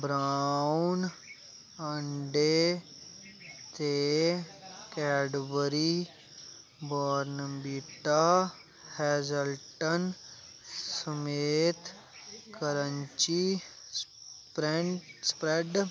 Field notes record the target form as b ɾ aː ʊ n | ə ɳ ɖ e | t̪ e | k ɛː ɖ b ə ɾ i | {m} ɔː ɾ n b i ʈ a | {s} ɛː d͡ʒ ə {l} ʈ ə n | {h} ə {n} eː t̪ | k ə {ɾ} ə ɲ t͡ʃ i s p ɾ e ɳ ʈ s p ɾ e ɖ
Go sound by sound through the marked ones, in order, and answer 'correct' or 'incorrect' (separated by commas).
incorrect, incorrect, correct, incorrect, incorrect, correct